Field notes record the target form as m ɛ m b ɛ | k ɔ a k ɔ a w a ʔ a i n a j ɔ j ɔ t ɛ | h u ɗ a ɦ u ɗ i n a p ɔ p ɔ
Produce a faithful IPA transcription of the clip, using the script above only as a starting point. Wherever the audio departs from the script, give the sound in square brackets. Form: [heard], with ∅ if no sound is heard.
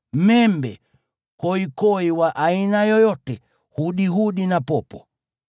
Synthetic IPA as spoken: m ɛ m b ɛ | k ɔ [i] k ɔ [i] w a ʔ a i n a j ɔ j ɔ t ɛ | h u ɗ [i] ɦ u ɗ i n a p ɔ p ɔ